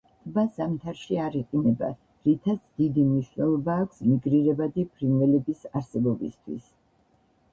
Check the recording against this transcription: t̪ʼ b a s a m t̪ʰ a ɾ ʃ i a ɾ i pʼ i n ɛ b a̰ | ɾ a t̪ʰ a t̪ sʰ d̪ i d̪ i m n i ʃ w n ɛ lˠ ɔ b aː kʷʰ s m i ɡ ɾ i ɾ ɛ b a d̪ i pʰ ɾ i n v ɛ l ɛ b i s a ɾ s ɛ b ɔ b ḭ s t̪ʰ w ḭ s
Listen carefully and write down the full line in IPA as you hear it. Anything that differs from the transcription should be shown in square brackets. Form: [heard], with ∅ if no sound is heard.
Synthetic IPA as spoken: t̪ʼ b a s a m t̪ʰ a ɾ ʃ i a ɾ i [qʼ] i n ɛ b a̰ | ɾ [i] t̪ʰ a t̪ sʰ d̪ i d̪ i m n i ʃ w n ɛ lˠ ɔ b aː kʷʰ s m i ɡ ɾ i ɾ ɛ b a d̪ i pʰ ɾ i n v ɛ l ɛ b i s a ɾ s ɛ b ɔ b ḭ s t̪ʰ w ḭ s